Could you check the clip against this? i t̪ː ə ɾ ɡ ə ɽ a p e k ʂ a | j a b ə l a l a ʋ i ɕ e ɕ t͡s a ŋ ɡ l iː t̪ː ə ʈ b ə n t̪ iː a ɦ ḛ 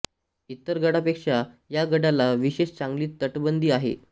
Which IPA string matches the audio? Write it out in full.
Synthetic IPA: i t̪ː ə ɾ ɡ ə ɽ a p e k ʂ a | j a ɡ ə ɽ a l a ʋ i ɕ e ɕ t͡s a ŋ ɡ l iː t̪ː ə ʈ b ə n d̪ iː a ɦ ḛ